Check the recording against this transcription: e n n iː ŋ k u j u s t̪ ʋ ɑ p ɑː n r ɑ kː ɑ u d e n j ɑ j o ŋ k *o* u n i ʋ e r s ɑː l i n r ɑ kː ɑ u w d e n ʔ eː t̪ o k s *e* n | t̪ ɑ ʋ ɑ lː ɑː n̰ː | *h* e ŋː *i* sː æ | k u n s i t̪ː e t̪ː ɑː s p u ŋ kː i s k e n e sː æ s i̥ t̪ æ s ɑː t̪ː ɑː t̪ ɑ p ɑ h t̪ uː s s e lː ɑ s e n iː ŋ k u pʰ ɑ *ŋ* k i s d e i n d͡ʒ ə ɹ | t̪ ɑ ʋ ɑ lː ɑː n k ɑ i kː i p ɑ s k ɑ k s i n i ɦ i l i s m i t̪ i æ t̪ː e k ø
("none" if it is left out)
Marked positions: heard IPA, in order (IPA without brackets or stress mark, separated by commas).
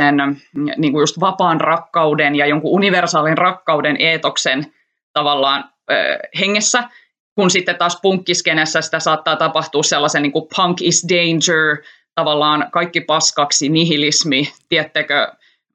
u, e, h, e, ŋ